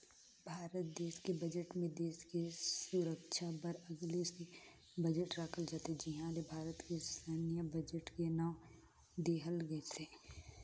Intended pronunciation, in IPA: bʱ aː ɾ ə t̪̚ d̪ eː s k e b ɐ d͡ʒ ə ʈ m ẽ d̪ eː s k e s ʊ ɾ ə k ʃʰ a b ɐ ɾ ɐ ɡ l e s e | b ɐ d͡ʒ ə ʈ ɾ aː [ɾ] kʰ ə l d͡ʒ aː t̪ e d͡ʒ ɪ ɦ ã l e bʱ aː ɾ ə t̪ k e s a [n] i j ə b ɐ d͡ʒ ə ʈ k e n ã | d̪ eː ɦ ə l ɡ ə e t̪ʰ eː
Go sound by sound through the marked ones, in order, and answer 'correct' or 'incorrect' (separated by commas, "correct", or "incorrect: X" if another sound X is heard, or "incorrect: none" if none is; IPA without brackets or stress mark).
incorrect: none, correct